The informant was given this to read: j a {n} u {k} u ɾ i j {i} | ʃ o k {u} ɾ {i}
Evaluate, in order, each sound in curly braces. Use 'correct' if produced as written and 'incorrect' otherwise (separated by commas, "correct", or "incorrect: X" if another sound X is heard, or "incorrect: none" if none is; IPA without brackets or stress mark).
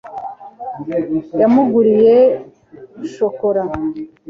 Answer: incorrect: m, incorrect: ɡ, incorrect: e, incorrect: o, incorrect: a